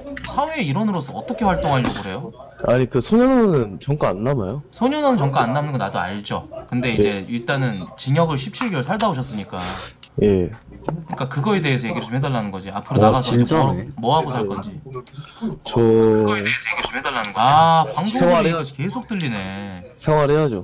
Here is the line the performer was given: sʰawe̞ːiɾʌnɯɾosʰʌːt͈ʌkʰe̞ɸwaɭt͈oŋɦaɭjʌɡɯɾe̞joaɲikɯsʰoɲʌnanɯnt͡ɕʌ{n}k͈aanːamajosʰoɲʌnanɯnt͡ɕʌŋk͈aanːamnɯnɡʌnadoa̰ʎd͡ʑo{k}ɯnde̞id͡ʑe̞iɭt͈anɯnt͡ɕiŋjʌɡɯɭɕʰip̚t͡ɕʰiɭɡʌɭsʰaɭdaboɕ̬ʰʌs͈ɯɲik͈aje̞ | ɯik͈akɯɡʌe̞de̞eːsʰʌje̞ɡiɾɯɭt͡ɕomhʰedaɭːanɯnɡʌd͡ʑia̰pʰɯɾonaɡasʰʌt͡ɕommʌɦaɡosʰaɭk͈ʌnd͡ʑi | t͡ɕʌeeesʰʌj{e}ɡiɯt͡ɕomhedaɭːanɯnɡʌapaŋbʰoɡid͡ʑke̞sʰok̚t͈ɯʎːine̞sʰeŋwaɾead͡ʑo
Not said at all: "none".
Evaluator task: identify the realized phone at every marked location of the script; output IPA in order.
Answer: ŋ, k, e

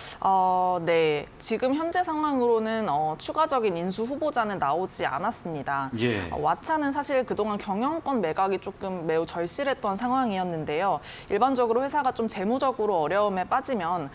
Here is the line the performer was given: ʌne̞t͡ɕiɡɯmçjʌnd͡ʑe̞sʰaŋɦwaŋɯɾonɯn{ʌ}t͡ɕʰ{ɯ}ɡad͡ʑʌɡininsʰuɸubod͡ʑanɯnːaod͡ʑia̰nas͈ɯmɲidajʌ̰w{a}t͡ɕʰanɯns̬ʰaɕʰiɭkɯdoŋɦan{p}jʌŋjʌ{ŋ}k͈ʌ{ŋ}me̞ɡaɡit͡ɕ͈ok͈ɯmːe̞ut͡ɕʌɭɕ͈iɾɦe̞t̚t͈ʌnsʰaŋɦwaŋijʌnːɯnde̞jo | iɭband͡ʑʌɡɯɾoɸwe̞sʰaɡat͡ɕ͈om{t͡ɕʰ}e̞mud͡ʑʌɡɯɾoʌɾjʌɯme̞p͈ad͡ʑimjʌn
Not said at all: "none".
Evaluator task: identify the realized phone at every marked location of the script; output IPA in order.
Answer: ʌ, u, a, k, ŋ, n, t͡ɕ

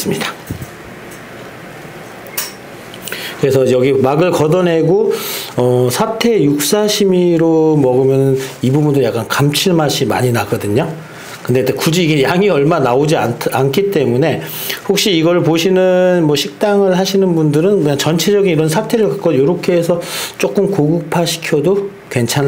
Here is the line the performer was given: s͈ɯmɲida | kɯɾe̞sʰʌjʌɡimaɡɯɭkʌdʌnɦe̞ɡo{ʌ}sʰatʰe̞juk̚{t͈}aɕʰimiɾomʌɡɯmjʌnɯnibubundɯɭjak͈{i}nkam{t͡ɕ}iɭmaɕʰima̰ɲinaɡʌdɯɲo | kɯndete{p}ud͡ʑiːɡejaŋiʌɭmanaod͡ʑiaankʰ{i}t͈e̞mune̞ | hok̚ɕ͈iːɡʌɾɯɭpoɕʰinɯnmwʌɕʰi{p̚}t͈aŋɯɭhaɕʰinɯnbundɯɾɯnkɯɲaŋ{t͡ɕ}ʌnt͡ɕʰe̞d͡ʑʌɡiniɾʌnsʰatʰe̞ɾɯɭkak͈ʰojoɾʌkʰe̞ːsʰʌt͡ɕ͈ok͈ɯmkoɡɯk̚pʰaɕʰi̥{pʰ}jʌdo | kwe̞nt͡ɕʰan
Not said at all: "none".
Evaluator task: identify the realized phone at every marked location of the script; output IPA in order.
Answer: ʌ, s͈, a, t͡ɕʰ, k, i, k̚, t͡ɕ, kʰ

